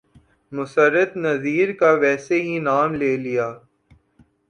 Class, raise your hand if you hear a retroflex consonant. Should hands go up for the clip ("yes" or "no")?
no